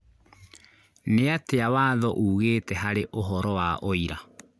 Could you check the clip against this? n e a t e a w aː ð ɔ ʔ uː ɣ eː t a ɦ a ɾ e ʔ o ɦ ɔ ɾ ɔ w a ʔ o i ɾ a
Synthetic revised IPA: n e a t e a w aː ð ɔ ʔ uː ɣ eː t ɛ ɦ a ɾ e ʔ o ɦ ɔ ɾ ɔ w a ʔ o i ɾ a